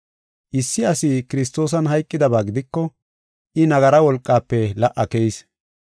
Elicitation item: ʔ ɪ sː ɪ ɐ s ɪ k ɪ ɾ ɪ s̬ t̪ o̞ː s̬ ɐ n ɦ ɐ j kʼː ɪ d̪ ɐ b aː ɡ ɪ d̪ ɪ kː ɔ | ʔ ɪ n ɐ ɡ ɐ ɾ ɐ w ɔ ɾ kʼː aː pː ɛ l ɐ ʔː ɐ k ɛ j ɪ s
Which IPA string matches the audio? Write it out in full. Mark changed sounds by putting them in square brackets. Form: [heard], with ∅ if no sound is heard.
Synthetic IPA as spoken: ʔ ɪ sː ɪ ɐ s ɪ k ɪ ɾ ɪ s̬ t̪ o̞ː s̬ ɐ n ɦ ɐ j kʼː ɪ d̪ ɐ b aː ɡ ɪ d̪ ɪ kː ɔ | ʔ ɪ n ɐ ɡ ɐ ɾ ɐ w ɔ [l] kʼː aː pː ɛ l ɐ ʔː ɐ k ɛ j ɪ s